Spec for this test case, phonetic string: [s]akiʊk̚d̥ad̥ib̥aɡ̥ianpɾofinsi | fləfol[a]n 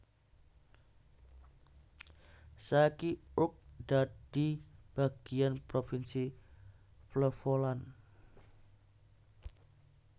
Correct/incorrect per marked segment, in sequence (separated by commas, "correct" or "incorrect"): correct, correct